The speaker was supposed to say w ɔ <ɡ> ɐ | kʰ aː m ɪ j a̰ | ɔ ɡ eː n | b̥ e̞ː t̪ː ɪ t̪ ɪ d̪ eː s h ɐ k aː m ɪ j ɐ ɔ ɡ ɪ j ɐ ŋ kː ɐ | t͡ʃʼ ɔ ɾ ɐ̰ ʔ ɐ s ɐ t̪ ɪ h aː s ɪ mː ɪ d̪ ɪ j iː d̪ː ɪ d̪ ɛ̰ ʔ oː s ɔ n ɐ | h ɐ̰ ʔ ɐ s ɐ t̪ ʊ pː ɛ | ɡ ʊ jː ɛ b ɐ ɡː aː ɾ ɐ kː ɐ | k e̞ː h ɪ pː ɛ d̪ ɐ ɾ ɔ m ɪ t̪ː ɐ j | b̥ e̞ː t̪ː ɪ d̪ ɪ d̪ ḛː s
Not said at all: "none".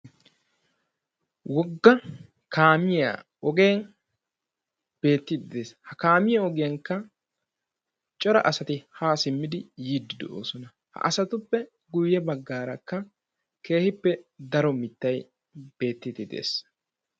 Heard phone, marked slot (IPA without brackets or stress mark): ɡː